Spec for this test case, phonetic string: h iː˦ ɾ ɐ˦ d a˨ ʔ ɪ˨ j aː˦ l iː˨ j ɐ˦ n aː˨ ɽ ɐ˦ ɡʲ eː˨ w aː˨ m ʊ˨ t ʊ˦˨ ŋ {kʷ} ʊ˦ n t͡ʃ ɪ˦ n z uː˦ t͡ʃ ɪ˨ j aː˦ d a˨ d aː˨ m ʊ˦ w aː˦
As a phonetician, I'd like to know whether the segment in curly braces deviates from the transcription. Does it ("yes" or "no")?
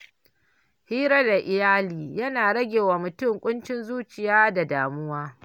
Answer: yes